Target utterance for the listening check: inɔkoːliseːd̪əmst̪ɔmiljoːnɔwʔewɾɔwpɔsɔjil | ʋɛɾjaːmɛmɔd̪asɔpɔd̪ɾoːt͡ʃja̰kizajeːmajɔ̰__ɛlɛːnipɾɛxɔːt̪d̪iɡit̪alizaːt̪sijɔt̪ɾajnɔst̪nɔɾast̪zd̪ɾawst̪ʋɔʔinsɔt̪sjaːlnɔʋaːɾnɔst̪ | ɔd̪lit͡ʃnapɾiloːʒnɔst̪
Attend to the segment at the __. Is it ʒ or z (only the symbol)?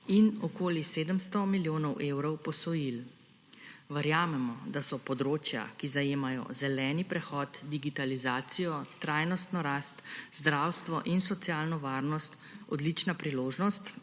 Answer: z